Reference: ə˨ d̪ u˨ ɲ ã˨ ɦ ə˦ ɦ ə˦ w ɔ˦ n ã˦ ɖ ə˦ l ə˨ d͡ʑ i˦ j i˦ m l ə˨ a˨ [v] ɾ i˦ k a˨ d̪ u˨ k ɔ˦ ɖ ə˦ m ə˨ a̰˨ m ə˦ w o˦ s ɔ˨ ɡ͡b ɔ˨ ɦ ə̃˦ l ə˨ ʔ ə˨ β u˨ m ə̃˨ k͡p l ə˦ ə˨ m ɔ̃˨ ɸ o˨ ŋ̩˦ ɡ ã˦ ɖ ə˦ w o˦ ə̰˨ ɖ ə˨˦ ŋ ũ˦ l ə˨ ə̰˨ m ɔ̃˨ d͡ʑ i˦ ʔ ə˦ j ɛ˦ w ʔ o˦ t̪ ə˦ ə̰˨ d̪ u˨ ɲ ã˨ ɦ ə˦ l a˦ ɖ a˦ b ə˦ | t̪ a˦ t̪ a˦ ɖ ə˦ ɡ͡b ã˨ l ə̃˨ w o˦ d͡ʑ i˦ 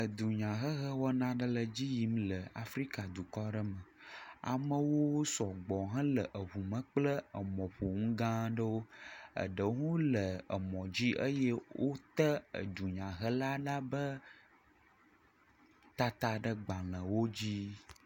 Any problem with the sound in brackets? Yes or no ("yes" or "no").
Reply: yes